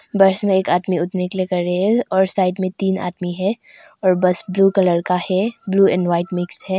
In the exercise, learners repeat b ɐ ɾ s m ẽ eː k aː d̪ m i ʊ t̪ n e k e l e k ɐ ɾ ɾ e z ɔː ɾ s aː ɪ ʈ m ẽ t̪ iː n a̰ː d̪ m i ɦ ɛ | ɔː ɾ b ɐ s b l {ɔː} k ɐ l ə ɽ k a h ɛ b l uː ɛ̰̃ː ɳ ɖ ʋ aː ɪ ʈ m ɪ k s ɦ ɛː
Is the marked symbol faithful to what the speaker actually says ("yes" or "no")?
no